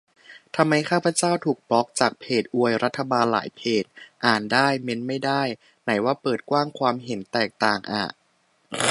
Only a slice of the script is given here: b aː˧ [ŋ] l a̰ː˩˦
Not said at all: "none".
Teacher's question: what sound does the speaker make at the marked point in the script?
n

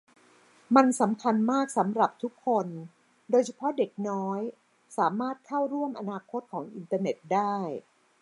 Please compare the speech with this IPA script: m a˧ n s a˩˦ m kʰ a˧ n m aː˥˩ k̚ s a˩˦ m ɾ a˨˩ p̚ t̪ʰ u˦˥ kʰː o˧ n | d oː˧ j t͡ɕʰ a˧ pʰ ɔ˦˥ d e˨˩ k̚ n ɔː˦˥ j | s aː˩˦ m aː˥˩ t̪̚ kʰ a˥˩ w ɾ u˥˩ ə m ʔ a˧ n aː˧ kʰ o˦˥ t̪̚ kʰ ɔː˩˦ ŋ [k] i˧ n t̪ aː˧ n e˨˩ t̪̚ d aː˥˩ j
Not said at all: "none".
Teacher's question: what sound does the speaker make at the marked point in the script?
ʔ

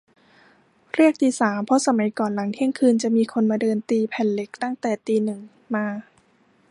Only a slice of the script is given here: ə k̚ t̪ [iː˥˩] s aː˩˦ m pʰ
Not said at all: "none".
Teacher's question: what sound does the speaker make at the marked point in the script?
iː˧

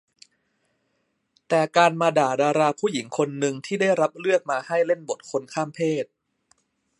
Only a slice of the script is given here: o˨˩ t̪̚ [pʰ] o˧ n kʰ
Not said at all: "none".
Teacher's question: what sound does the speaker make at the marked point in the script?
kʰ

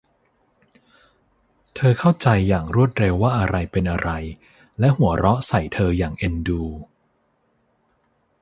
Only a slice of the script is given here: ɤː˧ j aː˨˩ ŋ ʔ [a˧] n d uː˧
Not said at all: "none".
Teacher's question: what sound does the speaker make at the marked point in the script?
e˧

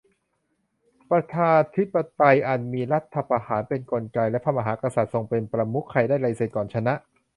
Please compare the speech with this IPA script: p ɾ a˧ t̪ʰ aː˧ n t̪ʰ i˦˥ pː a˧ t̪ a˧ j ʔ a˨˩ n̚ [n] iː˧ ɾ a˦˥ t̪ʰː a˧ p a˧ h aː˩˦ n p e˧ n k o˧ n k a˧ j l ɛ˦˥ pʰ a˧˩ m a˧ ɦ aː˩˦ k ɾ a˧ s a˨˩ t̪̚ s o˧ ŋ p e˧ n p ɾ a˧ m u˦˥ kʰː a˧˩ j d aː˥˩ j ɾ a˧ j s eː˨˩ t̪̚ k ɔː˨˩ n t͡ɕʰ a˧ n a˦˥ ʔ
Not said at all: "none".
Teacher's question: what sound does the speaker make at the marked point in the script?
m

